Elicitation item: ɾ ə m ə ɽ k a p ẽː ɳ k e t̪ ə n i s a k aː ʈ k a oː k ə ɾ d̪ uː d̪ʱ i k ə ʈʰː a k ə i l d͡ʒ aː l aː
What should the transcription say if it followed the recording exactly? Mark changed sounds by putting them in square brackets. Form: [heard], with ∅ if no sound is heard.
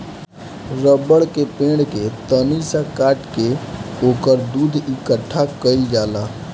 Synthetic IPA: ɾ ə [b] ə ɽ k [e] p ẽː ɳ k e t̪ ə n i s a k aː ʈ k [e] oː k ə ɾ d̪ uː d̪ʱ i k ə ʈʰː a k ə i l d͡ʒ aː l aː

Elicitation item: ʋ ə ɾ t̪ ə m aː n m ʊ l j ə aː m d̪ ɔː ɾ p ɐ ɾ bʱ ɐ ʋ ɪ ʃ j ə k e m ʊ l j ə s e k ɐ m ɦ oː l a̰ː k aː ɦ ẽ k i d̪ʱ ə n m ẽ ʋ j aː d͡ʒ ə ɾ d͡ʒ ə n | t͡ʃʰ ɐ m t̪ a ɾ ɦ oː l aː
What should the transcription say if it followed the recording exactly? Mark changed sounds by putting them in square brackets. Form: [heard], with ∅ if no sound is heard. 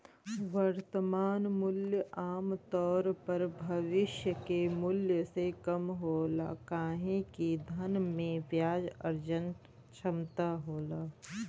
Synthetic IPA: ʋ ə ɾ t̪ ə m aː n m ʊ l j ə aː m [t̪] ɔː ɾ p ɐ ɾ bʱ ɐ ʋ ɪ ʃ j ə k e m ʊ l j ə s e k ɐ m ɦ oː l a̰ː k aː ɦ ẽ k i d̪ʱ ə n m ẽ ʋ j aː d͡ʒ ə ɾ d͡ʒ ə n | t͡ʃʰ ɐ m t̪ a [∅] ɦ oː l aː

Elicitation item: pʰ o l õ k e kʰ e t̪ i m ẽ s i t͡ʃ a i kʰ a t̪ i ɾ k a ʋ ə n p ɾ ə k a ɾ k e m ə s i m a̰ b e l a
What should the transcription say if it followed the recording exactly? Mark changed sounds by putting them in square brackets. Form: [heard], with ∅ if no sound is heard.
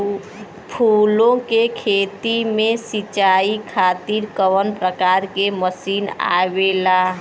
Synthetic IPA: pʰ [u] l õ k e kʰ e t̪ i m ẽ s i t͡ʃ a i kʰ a t̪ i ɾ k [ə] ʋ ə n p ɾ ə k a ɾ k e m ə s i [n] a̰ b e l a

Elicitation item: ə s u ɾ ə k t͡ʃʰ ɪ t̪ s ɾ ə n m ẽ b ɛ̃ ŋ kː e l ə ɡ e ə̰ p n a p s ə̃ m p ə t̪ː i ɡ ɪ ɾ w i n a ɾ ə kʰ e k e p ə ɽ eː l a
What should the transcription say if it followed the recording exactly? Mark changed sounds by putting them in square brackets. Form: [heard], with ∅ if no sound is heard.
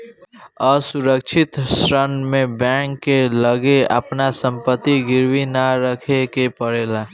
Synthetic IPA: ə s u ɾ ə k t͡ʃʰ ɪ t̪ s ɾ ə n m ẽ b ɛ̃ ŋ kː e l ə ɡ e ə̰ p n a [∅] s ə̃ m p ə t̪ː i ɡ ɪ ɾ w i n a ɾ ə kʰ e k e p ə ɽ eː l a

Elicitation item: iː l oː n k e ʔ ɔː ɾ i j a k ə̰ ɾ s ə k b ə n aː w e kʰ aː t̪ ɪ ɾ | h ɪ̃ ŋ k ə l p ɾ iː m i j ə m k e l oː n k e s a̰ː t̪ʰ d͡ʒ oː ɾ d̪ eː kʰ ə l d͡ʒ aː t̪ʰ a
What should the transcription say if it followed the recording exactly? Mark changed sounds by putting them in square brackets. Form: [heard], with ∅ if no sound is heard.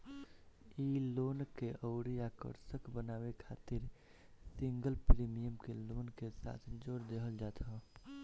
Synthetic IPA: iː l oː n k e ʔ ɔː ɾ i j a k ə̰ ɾ s ə k b ə n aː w e kʰ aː t̪ ɪ ɾ | [s] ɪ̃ ŋ [ɡ] ə l p ɾ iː m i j ə m k e l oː n k e s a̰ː t̪ʰ d͡ʒ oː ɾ d̪ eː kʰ ə l d͡ʒ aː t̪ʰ a

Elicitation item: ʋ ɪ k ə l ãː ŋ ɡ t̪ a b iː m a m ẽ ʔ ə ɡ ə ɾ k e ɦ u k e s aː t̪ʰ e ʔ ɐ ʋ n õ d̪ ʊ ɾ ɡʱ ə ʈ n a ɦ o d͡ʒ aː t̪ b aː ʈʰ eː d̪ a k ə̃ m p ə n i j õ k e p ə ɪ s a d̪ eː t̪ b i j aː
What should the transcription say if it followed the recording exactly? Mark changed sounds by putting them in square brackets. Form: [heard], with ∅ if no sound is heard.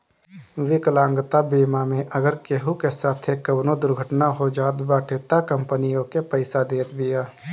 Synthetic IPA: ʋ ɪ k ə l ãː ŋ ɡ t̪ a b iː m a m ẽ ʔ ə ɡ ə ɾ k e ɦ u k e s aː t̪ʰ e [k] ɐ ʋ n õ d̪ ʊ ɾ ɡʱ ə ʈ n a ɦ o d͡ʒ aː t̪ b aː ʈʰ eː [t̪] a k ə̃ m p ə n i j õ k e p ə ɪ s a d̪ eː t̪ b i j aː

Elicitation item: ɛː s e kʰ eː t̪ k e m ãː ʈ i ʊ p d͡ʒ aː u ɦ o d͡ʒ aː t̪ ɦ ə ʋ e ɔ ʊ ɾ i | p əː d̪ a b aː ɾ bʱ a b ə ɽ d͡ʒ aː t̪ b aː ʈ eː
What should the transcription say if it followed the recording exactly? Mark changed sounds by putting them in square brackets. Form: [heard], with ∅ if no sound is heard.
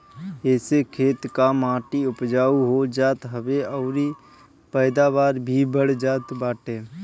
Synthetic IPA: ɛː s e kʰ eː t̪ k [a] m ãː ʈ i ʊ p d͡ʒ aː u ɦ o d͡ʒ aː t̪ ɦ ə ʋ e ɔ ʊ ɾ i | p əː d̪ a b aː ɾ bʱ [i] b ə ɽ d͡ʒ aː t̪ b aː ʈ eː

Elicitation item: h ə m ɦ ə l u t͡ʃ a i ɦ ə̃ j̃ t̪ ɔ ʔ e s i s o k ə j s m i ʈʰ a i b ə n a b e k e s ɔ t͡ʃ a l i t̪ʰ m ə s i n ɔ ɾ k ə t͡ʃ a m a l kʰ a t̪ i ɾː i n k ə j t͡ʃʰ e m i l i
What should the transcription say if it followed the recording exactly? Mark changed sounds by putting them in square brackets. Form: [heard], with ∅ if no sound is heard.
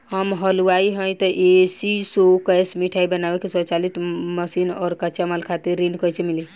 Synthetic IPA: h ə m ɦ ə l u [∅] a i ɦ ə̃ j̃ t̪ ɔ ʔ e s i s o k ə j s m i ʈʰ a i b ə n a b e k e s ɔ t͡ʃ a l i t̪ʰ m ə s i n ɔ ɾ k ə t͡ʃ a m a l kʰ a t̪ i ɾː i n k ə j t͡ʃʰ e m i l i

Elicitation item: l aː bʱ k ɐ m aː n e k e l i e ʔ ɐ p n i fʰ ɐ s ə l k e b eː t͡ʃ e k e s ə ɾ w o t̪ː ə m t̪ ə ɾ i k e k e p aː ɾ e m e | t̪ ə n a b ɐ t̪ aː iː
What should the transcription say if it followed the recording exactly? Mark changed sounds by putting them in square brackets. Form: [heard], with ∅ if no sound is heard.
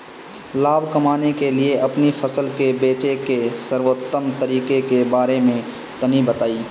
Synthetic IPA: l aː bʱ k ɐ m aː n e k e l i e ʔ ɐ p n i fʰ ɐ s ə l k e b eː t͡ʃ e k e s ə ɾ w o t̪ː ə m t̪ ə ɾ [iː] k e k e [b] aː ɾ e m [ẽ] | t̪ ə n [i] b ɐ t̪ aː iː

